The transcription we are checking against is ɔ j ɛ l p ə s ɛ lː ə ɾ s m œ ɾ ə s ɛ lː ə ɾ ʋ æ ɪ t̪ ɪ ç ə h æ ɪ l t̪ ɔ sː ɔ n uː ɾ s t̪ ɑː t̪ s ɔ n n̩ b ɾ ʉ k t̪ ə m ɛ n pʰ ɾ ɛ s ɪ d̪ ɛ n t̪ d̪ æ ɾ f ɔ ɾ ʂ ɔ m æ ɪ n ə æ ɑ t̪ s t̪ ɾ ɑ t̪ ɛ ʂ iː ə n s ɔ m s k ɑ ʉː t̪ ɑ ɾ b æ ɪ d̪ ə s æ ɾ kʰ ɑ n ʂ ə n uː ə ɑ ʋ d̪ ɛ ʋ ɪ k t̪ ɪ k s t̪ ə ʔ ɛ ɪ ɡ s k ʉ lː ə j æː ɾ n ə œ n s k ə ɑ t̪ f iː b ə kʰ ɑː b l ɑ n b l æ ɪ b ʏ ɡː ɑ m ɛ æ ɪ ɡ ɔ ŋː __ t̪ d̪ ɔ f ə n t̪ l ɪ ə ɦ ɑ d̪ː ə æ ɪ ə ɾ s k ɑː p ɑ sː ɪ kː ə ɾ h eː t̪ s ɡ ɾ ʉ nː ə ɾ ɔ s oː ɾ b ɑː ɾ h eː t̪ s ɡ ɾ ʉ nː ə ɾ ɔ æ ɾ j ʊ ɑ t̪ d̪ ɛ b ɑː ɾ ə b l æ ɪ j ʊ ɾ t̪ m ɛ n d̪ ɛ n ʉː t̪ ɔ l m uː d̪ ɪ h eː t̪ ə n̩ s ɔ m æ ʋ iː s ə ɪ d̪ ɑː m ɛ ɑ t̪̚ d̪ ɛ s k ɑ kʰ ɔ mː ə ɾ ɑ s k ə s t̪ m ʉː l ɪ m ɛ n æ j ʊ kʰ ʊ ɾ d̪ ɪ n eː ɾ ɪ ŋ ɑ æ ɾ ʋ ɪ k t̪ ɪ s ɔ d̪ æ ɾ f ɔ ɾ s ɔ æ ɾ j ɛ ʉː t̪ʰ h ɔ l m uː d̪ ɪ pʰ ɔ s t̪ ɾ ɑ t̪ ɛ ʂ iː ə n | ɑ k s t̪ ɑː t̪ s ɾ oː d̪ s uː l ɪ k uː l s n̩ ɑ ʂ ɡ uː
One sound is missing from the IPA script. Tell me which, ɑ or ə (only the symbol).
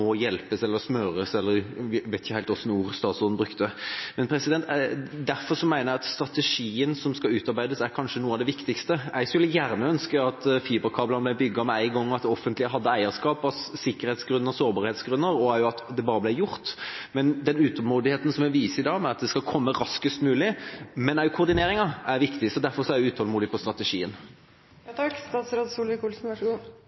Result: ɑ